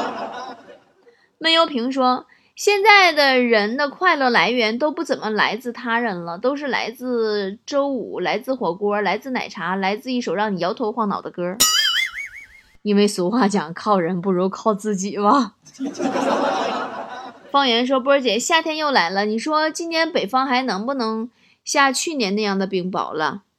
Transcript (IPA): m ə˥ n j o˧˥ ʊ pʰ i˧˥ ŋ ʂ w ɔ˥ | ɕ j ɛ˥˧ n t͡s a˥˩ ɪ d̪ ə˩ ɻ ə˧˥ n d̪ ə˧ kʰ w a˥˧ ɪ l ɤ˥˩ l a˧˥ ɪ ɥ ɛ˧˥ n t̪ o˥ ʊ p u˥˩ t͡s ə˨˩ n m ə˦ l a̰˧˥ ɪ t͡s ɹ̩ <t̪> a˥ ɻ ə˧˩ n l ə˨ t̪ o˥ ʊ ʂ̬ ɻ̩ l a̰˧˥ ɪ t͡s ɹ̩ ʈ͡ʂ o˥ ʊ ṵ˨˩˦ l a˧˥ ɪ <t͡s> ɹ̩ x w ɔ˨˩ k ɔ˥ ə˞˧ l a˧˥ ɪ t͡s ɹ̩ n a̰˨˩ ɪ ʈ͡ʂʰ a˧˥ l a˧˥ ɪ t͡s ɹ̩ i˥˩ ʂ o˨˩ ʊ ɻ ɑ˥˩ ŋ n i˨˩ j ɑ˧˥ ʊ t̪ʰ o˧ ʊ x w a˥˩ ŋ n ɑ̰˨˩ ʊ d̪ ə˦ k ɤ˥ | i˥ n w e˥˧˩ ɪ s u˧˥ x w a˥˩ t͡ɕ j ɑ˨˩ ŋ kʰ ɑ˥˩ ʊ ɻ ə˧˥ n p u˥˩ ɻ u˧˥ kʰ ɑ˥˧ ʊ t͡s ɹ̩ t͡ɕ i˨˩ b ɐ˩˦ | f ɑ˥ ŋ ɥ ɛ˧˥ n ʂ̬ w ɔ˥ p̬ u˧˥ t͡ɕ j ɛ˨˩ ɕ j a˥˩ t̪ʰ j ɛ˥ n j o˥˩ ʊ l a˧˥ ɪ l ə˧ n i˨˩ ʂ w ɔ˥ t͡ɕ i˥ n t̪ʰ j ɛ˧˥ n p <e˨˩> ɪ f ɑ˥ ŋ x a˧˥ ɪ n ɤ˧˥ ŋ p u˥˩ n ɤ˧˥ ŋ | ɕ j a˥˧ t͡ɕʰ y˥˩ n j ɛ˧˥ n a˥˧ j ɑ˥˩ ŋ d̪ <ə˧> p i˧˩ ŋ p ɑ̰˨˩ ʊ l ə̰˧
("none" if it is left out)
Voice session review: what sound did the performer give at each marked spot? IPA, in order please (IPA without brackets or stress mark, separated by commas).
t̪ʰ, t͡s, e˨˩, ə˩